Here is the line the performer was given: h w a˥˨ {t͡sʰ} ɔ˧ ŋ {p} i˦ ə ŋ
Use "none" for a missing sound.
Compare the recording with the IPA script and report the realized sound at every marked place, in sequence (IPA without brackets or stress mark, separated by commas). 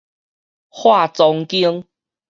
t͡s, k